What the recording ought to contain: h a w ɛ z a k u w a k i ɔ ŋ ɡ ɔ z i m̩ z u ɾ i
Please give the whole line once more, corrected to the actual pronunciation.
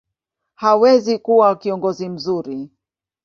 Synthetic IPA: h a w ɛ z i k u w a k i ɔ ŋ ɡ ɔ z i m̩ z u ɾ i